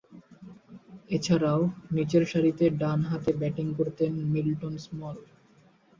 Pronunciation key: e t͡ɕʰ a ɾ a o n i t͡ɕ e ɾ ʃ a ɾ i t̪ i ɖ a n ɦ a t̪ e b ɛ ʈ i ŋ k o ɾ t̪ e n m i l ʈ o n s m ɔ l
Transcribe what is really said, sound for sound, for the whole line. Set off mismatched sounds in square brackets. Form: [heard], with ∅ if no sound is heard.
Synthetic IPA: e t͡ɕʰ a ɾ a o n i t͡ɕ e ɾ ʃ a ɾ i t̪ [e] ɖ a n ɦ a t̪ e b ɛ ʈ i ŋ k o ɾ t̪ e n m i l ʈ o n s m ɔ l